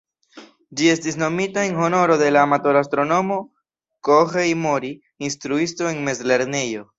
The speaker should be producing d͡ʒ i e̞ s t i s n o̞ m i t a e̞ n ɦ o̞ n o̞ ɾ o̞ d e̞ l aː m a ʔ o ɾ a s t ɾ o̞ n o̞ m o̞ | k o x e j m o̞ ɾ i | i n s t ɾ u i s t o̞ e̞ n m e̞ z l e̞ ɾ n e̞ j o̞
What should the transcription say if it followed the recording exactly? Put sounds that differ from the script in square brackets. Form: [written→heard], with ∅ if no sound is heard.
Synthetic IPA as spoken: d͡ʒ i e̞ s t i s n o̞ m i t a e̞ n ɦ o̞ n o̞ ɾ o̞ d e̞ l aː m a [ʔ→t] o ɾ a s t ɾ o̞ n o̞ m o̞ | k o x e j m o̞ ɾ i | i n s t ɾ u i s t o̞ e̞ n m e̞ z l e̞ ɾ n e̞ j o̞